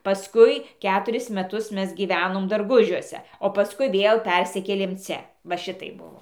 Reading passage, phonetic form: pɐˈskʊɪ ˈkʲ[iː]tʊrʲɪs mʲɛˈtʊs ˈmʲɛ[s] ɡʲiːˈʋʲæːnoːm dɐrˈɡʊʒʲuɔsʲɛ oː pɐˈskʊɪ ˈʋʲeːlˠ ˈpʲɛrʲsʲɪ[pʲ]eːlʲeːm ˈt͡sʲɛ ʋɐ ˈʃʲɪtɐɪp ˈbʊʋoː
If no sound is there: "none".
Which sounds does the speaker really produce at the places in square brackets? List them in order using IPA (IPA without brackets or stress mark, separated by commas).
æː, s, kʲ